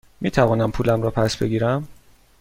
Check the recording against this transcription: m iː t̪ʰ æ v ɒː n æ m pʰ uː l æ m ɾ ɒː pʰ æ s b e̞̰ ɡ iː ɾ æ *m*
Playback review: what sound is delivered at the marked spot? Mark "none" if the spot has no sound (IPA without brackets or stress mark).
m